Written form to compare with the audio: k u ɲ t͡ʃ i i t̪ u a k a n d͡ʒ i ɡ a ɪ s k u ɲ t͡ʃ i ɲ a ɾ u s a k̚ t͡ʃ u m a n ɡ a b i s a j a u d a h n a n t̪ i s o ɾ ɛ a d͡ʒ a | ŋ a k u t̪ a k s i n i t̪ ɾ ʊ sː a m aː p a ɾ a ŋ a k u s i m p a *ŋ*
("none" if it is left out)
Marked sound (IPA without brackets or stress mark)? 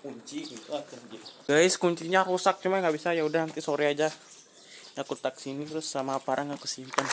n